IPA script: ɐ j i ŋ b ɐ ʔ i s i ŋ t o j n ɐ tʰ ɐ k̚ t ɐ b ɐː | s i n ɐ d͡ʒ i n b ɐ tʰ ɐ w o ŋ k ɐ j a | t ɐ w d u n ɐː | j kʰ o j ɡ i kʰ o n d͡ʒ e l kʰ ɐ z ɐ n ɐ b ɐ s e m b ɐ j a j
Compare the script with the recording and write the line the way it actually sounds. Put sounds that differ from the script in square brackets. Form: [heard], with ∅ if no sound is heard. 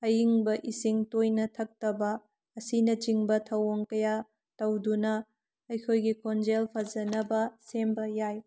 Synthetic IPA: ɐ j i ŋ b ɐ ʔ i s i ŋ t o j n ɐ tʰ ɐ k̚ t ɐ b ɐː | s i n ɐ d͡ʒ i [ŋ] b ɐ tʰ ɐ w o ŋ k ɐ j a | t ɐ w d u n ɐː | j kʰ o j ɡ i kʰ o n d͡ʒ e l [pʰ] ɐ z ɐ n ɐ b ɐ s e m b ɐ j a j